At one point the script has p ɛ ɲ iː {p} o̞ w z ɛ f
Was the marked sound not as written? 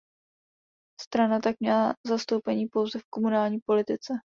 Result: no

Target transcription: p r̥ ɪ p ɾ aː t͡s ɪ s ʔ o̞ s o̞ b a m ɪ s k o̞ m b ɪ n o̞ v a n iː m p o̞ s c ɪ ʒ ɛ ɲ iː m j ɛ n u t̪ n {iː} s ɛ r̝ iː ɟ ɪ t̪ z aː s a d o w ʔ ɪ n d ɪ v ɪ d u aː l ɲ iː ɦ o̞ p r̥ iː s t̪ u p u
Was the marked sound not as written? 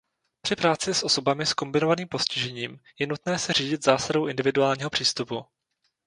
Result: yes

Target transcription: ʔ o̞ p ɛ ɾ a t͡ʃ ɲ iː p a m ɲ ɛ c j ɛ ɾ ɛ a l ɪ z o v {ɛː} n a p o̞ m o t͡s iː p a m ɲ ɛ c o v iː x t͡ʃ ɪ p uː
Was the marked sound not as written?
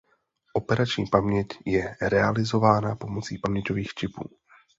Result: yes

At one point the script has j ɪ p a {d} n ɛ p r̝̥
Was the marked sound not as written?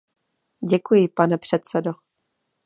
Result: yes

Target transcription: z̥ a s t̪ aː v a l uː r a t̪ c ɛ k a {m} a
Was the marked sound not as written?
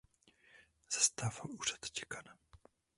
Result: yes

